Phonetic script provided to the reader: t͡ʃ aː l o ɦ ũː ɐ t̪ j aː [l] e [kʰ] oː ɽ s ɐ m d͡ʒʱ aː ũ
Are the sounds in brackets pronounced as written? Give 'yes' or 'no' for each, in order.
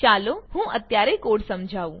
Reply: no, no

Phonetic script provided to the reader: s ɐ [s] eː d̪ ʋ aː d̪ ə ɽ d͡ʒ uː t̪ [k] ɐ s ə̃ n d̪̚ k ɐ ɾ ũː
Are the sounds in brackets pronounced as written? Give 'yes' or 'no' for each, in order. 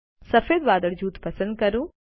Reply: no, no

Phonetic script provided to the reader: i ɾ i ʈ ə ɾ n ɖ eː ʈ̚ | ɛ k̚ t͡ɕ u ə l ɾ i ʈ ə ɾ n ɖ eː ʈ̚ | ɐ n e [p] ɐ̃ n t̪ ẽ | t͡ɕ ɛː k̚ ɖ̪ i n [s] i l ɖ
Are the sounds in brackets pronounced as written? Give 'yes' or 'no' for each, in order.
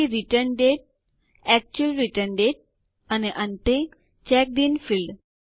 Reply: no, no

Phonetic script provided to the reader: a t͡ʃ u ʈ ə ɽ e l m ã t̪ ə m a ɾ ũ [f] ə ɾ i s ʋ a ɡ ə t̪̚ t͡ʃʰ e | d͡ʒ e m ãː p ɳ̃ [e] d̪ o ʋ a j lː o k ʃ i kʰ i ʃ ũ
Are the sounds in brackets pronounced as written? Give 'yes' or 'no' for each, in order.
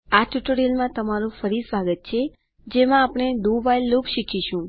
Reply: yes, yes

